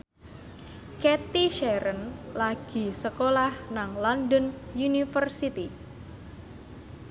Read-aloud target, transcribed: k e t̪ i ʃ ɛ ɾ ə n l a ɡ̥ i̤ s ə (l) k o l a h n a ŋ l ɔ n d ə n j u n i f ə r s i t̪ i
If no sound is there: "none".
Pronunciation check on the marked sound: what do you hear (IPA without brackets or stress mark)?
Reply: none